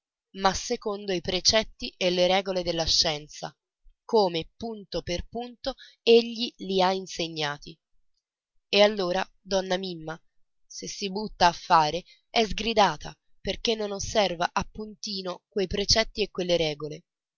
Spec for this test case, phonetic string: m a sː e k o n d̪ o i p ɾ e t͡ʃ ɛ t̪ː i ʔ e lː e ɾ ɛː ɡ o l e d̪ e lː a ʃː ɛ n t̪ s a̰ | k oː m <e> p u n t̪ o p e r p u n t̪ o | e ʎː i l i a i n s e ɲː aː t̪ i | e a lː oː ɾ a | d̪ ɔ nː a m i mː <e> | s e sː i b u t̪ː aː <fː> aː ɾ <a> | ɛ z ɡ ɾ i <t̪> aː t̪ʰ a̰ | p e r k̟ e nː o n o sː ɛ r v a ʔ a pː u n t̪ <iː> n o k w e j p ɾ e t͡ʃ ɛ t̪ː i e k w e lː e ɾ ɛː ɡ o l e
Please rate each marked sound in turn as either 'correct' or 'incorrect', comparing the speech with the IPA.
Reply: correct, incorrect: a, correct, incorrect: e, incorrect: d̪, correct

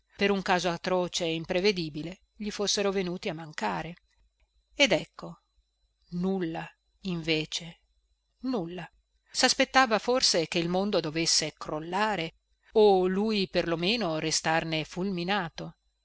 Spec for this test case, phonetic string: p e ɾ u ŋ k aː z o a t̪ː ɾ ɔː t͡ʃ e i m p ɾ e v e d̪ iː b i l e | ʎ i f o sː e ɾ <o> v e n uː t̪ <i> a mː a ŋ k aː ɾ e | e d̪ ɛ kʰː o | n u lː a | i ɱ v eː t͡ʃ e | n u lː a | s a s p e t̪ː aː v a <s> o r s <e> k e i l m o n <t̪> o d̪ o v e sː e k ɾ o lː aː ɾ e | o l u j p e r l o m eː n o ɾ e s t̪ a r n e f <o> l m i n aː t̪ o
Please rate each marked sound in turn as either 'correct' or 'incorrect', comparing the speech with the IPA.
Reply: correct, correct, incorrect: f, correct, incorrect: d̪, incorrect: u

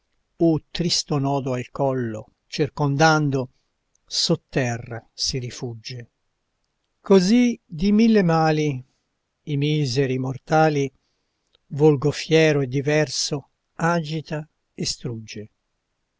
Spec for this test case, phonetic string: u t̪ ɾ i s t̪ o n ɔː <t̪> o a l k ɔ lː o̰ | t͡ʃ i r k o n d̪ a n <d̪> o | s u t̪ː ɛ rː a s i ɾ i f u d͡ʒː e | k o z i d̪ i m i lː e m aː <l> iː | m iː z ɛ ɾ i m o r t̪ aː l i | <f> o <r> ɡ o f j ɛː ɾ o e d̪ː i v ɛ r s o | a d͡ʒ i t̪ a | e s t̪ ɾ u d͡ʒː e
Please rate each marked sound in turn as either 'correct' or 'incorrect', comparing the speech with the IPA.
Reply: incorrect: d̪, correct, correct, incorrect: v, incorrect: l

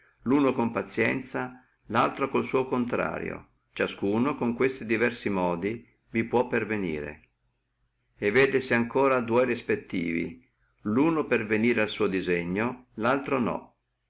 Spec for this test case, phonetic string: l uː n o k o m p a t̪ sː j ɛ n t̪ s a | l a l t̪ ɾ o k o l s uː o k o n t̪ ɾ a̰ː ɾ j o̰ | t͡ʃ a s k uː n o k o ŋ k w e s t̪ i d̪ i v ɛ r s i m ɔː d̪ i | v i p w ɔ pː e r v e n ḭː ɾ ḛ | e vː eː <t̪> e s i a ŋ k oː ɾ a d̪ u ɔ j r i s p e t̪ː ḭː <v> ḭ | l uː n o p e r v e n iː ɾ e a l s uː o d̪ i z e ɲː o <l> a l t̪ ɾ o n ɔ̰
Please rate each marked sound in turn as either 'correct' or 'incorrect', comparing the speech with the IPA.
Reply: incorrect: d̪, correct, correct

